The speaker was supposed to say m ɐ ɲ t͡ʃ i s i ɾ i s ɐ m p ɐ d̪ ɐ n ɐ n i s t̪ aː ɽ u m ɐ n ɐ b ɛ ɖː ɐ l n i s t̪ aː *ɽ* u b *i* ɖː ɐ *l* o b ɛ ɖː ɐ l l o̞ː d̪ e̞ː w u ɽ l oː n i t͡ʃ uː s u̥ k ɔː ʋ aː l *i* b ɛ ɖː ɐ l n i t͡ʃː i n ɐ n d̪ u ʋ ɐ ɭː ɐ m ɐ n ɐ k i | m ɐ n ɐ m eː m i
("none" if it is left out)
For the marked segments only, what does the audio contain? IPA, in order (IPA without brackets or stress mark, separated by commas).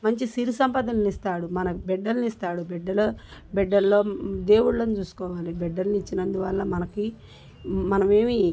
ɽ, ɛ, l, i